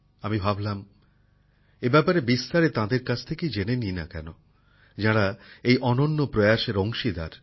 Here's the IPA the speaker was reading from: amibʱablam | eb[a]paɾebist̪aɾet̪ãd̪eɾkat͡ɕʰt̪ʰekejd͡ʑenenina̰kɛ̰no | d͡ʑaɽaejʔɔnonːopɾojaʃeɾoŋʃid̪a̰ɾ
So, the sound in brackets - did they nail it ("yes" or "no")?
no